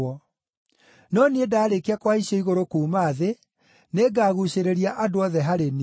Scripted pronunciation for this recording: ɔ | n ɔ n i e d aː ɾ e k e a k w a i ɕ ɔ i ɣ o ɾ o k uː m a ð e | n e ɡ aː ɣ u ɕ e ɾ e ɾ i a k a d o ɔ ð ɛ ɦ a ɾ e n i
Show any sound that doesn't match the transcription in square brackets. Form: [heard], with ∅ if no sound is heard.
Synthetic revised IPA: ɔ | n ɔ n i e d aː ɾ e k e a k w a i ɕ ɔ i ɣ o ɾ o k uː m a ð e | n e ɡ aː ɣ u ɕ e ɾ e ɾ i a [ʔ] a d o ɔ ð ɛ ɦ a ɾ e n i

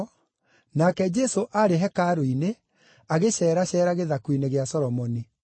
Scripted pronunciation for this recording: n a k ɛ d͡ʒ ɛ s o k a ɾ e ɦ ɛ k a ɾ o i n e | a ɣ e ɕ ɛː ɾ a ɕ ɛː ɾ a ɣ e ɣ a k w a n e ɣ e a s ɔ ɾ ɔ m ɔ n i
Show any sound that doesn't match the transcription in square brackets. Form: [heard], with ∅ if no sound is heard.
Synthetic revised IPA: n a k ɛ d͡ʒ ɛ s o [ʔ] a ɾ e ɦ ɛ k a ɾ o i n e | a ɣ e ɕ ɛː ɾ a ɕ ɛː ɾ a ɣ e [ð] a k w [i] n e ɣ e a s ɔ ɾ ɔ m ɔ n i

